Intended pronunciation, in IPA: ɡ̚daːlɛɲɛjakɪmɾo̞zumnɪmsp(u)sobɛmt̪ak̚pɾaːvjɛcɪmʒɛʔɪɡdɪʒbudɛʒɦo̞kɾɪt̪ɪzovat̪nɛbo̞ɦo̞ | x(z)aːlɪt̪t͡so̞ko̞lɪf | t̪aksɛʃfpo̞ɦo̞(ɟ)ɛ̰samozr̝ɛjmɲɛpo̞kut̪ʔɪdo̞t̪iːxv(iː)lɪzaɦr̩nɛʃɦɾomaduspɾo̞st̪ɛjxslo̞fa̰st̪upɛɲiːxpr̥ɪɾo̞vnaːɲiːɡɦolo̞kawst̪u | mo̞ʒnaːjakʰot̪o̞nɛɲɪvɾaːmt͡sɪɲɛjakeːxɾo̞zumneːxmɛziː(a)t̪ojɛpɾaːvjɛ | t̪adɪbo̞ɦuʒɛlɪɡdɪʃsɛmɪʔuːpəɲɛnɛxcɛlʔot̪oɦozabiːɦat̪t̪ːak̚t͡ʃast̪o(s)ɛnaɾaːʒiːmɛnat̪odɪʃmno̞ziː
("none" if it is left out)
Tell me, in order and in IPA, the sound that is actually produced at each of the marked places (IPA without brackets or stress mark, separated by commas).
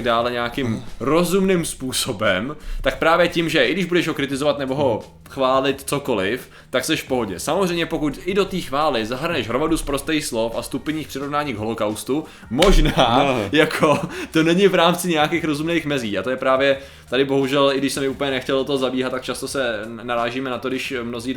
uː, v, ɟ, aː, a, s